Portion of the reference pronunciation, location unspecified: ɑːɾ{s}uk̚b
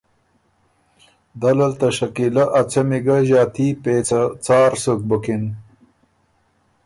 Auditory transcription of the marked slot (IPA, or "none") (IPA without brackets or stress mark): s